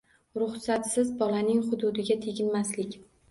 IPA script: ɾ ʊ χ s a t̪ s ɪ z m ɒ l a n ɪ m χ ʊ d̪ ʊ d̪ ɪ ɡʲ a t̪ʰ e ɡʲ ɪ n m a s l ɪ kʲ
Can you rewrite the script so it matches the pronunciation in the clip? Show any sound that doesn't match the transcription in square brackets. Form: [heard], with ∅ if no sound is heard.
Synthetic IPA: ɾ ʊ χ s a t̪ s ɪ z [b] ɒ l a n ɪ [ŋ] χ ʊ d̪ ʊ d̪ ɪ ɡʲ a t̪ʰ e ɡʲ ɪ n m a s l ɪ kʲ